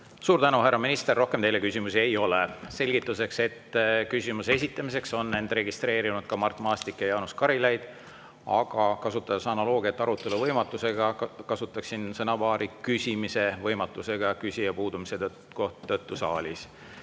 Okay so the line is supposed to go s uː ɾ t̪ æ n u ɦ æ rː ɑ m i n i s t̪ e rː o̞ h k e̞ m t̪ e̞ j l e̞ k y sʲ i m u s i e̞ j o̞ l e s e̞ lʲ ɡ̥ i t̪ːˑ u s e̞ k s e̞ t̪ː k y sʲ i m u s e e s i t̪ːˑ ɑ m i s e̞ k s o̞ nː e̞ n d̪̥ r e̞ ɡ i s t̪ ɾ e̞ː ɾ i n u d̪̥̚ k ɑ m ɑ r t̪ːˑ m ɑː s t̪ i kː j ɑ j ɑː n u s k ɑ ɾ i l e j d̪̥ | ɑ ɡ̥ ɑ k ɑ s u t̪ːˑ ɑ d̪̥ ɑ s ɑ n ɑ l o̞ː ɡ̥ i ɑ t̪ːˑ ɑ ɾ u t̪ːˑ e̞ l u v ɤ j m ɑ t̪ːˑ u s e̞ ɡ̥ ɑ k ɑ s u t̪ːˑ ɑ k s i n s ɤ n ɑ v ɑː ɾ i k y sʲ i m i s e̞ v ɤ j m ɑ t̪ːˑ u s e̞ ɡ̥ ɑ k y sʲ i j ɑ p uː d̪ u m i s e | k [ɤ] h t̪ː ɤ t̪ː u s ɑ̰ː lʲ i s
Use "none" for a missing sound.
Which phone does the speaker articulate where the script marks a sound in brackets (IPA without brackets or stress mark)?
o